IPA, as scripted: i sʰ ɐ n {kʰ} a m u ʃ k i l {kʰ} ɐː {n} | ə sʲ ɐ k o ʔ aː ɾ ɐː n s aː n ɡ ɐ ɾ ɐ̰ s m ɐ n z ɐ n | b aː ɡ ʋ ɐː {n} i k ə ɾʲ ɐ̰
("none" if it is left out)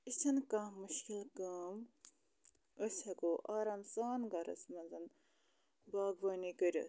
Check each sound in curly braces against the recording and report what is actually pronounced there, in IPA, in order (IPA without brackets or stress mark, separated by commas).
k, k, m, n